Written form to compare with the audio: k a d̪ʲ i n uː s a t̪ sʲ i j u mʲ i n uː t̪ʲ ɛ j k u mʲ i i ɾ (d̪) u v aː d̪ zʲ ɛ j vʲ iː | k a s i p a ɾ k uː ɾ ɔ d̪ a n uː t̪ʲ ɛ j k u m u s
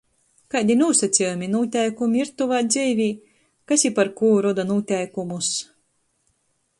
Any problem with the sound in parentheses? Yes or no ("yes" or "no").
yes